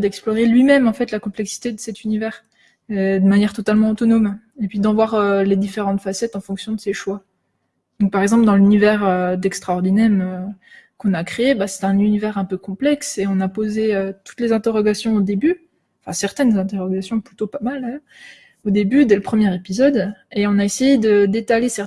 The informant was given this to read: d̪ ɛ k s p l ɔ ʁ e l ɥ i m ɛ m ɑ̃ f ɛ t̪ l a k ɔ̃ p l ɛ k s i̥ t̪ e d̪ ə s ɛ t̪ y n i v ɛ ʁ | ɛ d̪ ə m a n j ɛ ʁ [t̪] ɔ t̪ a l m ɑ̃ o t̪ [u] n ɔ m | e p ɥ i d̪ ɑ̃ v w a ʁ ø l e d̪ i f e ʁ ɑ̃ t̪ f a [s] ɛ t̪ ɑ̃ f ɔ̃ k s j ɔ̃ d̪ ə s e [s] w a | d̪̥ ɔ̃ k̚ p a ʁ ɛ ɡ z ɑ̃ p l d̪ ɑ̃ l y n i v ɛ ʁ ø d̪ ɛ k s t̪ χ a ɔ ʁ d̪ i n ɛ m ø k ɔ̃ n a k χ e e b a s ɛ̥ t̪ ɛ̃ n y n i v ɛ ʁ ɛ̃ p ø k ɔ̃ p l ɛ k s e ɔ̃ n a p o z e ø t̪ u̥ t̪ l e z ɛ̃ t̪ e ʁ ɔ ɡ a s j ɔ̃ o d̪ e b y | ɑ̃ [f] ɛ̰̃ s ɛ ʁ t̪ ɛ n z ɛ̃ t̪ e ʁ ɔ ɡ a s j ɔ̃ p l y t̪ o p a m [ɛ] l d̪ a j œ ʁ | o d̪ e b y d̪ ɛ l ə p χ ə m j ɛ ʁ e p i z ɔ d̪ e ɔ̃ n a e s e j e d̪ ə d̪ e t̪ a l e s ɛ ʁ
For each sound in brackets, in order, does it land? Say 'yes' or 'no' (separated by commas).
yes, no, yes, no, yes, no